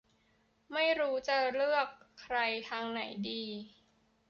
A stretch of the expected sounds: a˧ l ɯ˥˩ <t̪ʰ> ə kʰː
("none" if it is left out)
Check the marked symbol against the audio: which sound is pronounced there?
none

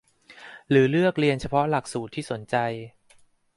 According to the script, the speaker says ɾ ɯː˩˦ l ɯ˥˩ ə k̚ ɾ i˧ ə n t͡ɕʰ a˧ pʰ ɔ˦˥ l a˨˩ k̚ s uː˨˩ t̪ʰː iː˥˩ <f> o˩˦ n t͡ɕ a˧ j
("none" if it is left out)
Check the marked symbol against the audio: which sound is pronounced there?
s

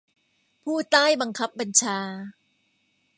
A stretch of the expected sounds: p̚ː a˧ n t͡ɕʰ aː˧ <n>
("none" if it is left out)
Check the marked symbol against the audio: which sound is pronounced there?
none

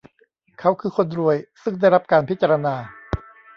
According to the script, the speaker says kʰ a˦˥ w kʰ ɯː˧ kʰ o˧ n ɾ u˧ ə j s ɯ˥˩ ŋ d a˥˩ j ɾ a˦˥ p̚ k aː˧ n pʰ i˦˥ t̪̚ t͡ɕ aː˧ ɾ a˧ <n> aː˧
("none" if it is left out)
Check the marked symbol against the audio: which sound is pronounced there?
n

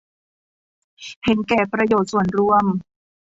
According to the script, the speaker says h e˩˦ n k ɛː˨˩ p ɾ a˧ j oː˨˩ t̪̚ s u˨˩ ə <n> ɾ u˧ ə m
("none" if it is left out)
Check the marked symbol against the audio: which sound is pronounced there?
n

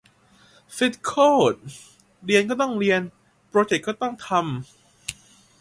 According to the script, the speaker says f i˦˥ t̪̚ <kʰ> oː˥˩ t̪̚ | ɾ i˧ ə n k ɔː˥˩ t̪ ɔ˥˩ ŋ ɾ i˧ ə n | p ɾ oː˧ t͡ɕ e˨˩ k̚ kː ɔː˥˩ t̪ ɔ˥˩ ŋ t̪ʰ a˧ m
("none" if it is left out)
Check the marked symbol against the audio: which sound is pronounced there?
kʰ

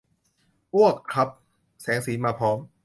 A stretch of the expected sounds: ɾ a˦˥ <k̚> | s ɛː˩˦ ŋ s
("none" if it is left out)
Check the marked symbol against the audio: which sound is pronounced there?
p̚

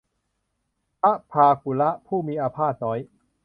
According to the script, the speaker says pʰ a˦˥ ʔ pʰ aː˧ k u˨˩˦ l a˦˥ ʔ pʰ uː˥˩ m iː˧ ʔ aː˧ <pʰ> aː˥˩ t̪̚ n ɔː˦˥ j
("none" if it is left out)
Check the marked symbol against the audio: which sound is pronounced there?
pʰ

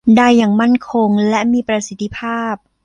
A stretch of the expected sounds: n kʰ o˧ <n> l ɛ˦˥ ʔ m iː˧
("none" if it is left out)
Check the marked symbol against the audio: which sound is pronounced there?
ŋ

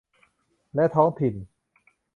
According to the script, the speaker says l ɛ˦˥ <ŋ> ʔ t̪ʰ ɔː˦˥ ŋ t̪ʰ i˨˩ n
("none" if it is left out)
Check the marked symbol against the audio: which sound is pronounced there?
none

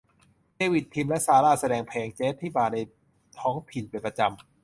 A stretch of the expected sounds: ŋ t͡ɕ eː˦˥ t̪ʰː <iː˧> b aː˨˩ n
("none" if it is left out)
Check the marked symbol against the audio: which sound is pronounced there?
iː˥˩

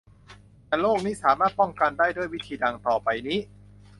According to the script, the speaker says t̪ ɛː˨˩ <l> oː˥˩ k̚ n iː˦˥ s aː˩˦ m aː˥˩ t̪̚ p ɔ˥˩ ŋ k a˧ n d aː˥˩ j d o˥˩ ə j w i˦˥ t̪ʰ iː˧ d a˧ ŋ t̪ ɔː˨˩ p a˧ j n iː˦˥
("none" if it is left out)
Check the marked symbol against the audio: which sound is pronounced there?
l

